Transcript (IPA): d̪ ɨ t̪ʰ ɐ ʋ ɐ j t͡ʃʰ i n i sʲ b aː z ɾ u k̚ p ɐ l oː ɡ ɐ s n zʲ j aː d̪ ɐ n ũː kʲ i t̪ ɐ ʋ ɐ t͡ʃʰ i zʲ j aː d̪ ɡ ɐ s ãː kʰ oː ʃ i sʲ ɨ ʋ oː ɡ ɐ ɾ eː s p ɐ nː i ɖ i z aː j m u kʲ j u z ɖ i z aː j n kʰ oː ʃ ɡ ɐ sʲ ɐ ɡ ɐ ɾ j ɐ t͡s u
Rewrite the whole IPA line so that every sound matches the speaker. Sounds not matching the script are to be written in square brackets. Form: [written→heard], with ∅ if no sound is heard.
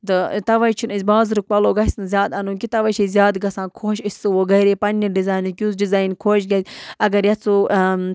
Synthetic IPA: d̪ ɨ [t̪ʰ→t̪] ɐ ʋ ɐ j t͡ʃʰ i n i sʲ b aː z ɾ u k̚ p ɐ l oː ɡ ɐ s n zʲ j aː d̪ ɐ n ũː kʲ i t̪ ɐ ʋ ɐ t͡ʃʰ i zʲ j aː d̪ ɡ ɐ s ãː kʰ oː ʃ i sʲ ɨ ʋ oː ɡ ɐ ɾ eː [s→∅] p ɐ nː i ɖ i z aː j [m→n] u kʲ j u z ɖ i z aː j n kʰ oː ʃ ɡ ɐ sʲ ɐ ɡ ɐ ɾ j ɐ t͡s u

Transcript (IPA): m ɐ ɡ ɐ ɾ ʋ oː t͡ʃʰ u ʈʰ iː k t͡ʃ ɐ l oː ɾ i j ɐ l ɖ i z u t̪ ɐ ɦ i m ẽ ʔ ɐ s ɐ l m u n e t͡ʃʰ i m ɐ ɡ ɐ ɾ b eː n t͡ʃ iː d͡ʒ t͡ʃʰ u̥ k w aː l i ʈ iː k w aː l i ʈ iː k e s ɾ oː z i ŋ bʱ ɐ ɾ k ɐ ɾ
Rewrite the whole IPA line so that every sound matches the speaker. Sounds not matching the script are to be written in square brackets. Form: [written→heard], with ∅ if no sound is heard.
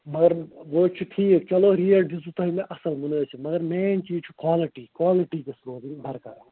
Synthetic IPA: m ɐ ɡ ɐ ɾ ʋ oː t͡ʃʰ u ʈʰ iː k t͡ʃ ɐ l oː ɾ i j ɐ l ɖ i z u t̪ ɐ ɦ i m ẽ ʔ ɐ s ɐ l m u n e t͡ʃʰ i m ɐ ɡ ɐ ɾ [b→m] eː n t͡ʃ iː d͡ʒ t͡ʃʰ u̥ k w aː l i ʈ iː k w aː l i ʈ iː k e s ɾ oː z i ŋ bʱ ɐ ɾ k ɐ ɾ

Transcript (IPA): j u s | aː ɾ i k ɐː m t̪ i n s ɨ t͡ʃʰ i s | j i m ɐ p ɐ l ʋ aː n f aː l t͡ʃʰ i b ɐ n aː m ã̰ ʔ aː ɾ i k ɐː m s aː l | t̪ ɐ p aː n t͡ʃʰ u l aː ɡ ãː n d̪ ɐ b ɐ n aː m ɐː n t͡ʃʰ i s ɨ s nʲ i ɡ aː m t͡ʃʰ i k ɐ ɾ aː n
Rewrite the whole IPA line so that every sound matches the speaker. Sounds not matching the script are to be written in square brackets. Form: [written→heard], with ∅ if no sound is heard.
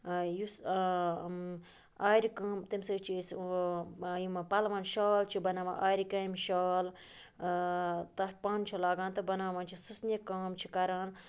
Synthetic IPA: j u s | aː ɾ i k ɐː m t̪ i [n→m] s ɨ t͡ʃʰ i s | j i m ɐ p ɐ l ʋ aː n [f→ʃ] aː l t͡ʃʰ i b ɐ n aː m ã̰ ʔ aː ɾ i k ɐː m [s→ʃ] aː l | t̪ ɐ p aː n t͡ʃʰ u l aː ɡ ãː n [d̪→t̪] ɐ b ɐ n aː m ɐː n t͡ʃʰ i s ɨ s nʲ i [ɡ→k] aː m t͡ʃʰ i k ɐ ɾ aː n

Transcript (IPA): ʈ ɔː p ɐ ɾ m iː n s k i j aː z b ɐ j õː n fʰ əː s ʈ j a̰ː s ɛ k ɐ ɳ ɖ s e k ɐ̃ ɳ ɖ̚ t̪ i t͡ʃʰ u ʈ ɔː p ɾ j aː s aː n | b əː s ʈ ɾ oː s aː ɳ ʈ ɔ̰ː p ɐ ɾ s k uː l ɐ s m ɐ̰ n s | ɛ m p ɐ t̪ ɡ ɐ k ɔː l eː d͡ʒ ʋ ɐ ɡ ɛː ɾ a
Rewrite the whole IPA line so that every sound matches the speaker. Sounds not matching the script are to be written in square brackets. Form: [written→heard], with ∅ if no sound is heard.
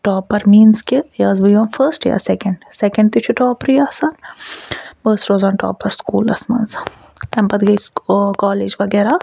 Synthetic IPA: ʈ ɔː p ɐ ɾ m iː n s k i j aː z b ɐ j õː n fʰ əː s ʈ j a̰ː s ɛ k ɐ ɳ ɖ s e k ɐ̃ ɳ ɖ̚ t̪ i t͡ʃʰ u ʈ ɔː p ɾ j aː s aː n | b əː s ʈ ɾ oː [s→z] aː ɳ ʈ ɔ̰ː p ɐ ɾ s k uː l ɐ s m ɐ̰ n s | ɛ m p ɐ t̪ ɡ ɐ k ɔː l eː d͡ʒ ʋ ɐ ɡ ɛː ɾ a

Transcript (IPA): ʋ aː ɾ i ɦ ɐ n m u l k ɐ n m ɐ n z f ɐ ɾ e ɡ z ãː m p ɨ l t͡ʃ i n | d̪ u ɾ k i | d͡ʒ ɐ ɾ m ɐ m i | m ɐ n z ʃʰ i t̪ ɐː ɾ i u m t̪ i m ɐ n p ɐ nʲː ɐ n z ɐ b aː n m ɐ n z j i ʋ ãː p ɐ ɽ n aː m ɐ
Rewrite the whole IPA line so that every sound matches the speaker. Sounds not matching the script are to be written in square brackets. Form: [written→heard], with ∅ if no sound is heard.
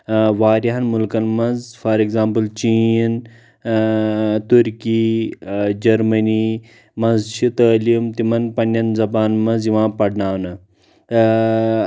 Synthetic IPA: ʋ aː ɾ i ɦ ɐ n m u l k ɐ n m ɐ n z f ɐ ɾ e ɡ z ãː m p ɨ l t͡ʃ i n | [d̪→t̪] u ɾ k i | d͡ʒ ɐ ɾ m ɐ [m→n] i | m ɐ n z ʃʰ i t̪ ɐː [ɾ→l] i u m t̪ i m ɐ n p ɐ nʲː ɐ n z ɐ b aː n m ɐ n z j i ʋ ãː p ɐ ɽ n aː [m→n] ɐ

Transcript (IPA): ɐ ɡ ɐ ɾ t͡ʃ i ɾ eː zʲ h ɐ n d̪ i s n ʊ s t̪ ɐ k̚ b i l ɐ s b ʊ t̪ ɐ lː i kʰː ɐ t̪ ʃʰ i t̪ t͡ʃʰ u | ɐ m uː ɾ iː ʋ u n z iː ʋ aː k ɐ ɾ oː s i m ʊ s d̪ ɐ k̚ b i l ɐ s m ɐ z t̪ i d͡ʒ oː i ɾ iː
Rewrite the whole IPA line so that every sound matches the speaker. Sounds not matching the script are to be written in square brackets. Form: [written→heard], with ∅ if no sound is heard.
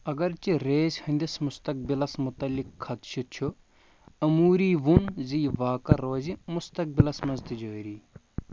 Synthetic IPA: ɐ ɡ ɐ ɾ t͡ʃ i ɾ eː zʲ h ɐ n d̪ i s [n→m] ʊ s t̪ ɐ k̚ b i l ɐ s [b→m] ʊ t̪ ɐ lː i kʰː ɐ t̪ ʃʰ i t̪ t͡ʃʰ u | ɐ m uː ɾ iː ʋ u n z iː ʋ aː k ɐ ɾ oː [s→z] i m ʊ s [d̪→t̪] ɐ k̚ b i l ɐ s m ɐ z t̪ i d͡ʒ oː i ɾ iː

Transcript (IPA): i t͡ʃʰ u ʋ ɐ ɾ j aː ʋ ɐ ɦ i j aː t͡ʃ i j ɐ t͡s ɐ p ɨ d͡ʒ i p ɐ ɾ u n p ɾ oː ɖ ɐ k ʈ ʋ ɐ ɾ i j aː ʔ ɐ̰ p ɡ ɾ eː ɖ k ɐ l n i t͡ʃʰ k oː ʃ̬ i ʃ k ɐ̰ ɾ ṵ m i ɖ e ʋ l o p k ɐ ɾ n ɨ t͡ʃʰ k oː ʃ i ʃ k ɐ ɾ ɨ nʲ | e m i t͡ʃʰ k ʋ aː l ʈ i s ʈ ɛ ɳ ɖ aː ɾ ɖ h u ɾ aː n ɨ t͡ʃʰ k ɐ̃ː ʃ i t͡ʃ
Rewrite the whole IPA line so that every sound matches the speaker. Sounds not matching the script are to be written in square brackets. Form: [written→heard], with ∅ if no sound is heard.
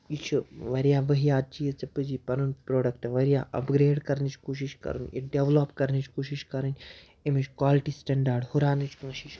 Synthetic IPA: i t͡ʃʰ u ʋ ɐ ɾ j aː ʋ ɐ ɦ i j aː t͡ʃ i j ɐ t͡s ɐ p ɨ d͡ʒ i p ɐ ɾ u n p ɾ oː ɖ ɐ k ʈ ʋ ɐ ɾ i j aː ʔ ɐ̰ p ɡ ɾ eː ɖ k ɐ [l→ɾ] n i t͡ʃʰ k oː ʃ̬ i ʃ k ɐ̰ ɾ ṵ [m→n] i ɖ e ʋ l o p k ɐ ɾ n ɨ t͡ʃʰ k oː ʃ i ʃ k ɐ ɾ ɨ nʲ | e m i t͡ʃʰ k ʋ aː l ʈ i s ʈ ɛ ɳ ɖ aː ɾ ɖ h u ɾ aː n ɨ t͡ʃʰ k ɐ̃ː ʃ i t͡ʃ

